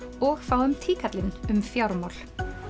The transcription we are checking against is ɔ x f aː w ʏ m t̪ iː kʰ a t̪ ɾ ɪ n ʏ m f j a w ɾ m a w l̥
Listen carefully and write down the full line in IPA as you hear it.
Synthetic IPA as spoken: ɔ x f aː w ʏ m t̪ʰ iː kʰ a t̪ l ɪ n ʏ m f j a w ɾ m a w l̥